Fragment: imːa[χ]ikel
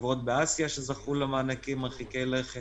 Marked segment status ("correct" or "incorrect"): correct